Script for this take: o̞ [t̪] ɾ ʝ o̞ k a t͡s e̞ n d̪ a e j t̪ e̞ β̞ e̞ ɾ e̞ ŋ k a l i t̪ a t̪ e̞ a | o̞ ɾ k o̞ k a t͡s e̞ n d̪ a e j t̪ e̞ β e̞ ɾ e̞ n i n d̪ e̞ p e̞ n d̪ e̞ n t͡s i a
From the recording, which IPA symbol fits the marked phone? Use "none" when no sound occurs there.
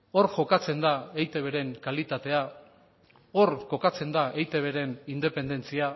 none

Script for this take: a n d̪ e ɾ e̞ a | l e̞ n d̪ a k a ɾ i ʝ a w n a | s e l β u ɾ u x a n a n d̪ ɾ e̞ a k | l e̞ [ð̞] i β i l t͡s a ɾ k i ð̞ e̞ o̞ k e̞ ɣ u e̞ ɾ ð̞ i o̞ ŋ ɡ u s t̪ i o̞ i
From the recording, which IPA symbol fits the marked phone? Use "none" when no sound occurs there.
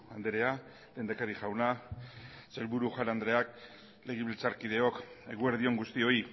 ɣ̞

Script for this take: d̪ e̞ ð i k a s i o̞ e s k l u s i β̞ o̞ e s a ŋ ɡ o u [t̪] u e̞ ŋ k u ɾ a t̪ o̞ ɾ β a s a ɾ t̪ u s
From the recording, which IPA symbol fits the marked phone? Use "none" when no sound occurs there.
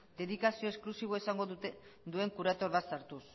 d̪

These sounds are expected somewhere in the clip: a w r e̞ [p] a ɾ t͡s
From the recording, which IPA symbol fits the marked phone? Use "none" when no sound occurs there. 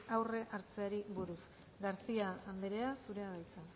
ʔ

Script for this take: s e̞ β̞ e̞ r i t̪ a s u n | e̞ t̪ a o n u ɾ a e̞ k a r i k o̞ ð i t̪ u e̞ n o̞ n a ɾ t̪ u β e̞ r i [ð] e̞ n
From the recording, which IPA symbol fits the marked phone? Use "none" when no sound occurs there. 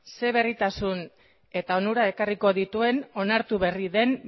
ð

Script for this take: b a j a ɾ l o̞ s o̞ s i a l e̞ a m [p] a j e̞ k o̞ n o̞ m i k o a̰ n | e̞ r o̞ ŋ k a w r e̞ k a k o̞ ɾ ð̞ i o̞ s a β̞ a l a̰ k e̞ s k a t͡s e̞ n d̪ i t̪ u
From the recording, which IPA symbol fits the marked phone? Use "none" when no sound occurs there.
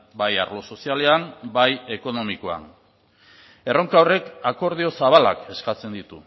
b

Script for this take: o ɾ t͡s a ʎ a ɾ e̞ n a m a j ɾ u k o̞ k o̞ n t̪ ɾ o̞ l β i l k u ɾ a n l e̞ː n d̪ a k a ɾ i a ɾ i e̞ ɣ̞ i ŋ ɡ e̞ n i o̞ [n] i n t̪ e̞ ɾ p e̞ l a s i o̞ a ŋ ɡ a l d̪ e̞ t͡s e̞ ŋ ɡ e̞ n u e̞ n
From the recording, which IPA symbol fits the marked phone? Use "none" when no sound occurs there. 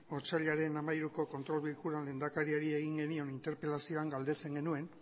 n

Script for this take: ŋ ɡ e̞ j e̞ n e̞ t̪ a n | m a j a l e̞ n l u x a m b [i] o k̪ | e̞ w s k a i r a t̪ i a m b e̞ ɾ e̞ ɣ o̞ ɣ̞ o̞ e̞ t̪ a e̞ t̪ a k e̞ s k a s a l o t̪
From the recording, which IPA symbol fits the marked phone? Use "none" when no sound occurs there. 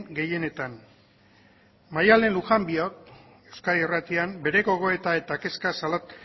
i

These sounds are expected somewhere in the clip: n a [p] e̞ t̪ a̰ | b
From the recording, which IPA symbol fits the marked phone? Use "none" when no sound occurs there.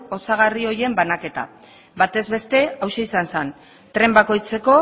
k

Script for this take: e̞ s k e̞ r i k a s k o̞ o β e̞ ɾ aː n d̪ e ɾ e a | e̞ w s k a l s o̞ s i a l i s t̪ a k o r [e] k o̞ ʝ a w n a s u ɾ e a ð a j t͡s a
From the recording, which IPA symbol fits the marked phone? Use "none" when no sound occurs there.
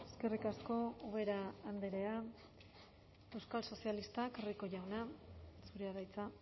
i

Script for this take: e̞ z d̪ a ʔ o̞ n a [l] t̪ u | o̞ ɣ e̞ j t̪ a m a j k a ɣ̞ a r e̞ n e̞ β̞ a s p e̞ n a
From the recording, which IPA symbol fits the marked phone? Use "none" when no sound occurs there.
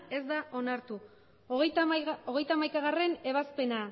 ɾ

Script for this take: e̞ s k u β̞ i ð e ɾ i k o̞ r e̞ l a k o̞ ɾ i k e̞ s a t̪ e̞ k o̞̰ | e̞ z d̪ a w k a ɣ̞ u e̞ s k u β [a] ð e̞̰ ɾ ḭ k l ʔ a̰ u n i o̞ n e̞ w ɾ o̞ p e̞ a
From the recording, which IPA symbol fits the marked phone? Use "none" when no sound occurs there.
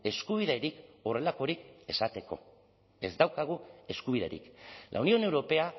i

